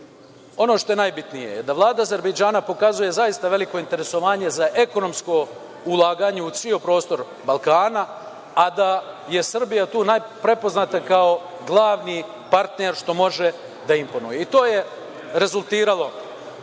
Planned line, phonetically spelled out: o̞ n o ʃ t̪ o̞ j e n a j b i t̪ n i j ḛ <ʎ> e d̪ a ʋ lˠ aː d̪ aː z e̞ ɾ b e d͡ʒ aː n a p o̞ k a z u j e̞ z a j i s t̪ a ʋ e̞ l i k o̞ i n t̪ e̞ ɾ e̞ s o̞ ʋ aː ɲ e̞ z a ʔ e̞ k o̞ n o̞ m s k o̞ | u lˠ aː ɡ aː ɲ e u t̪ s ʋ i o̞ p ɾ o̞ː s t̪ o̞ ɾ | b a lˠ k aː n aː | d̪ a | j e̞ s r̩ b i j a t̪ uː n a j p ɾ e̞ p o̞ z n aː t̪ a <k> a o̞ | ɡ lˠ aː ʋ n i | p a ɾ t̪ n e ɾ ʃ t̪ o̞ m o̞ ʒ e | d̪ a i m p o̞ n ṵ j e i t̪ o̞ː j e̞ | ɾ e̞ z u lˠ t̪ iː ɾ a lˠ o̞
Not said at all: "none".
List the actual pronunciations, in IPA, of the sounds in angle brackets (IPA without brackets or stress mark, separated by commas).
j, k